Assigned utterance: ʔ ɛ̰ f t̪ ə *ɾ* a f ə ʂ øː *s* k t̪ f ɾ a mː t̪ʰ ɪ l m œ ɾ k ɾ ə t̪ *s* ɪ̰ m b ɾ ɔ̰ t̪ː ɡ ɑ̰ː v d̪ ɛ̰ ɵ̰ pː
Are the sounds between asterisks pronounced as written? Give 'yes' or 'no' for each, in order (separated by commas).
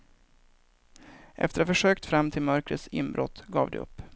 yes, no, yes